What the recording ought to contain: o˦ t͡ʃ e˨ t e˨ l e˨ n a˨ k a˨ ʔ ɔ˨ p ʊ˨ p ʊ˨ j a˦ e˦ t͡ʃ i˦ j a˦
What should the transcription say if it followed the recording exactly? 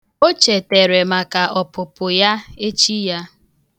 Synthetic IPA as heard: o˦ t͡ʃ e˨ t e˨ ɾ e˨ m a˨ k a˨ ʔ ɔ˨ p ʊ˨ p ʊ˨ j a˦ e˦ t͡ʃ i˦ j a˦